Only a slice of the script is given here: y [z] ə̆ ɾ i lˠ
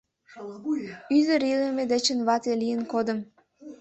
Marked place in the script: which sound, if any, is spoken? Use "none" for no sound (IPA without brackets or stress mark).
z